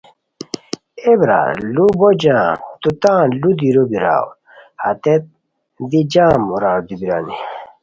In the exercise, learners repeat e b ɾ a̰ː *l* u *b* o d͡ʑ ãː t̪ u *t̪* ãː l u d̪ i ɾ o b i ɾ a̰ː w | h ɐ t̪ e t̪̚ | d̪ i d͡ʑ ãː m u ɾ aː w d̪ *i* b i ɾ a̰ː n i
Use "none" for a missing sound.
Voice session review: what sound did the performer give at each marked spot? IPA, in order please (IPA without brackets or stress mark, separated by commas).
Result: l, b, t̪, i